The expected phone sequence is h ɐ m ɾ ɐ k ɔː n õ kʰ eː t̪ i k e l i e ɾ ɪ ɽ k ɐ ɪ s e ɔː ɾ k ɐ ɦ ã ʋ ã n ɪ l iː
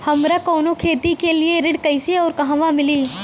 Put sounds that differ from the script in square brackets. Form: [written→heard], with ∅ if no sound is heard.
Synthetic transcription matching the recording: h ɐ m ɾ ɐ k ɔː n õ kʰ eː t̪ i k e l i e ɾ ɪ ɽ k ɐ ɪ s e ɔː ɾ k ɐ ɦ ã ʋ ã [n→m] ɪ l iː